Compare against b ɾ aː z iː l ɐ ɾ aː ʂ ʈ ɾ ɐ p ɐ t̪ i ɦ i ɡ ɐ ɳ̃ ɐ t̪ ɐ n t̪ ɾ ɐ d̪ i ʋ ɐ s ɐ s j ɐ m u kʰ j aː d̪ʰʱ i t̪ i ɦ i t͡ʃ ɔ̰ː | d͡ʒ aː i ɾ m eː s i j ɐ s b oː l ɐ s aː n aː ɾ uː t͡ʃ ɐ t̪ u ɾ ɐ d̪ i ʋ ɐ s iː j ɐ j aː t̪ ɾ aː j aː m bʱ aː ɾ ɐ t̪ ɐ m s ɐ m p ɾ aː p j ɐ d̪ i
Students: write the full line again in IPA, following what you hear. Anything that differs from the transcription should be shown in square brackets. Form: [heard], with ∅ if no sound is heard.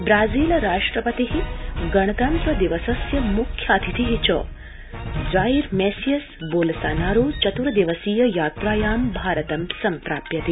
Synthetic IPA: b ɾ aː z iː l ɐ ɾ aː ʂ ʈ ɾ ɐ p ɐ t̪ i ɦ i ɡ ɐ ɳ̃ ɐ t̪ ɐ n t̪ ɾ ɐ d̪ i ʋ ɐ s ɐ s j ɐ m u kʰ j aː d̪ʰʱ i t̪ i ɦ i t͡ʃ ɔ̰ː | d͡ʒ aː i ɾ m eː s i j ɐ s b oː l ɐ s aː n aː ɾ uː t͡ʃ ɐ t̪ u ɾ ɐ d̪ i ʋ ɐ s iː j ɐ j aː t̪ ɾ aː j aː m bʱ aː ɾ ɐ t̪ ɐ m s ɐ m p ɾ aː p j ɐ [t̪] i